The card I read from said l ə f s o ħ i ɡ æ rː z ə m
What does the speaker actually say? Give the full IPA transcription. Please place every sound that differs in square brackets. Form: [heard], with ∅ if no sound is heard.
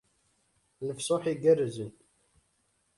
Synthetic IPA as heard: l ə f s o ħ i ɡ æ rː z ə [n]